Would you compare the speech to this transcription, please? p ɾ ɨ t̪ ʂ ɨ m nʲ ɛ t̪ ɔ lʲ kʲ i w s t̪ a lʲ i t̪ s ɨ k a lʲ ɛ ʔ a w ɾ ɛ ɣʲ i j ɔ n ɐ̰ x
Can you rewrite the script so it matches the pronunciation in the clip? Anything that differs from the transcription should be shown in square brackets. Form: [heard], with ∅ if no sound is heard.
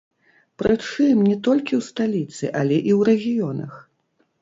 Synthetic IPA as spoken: p ɾ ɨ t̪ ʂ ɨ m nʲ ɛ t̪ ɔ lʲ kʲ i w s t̪ a lʲ i t̪ s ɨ [ʔ] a lʲ ɛ ʔ [i] w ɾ ɛ ɣʲ i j ɔ n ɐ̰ x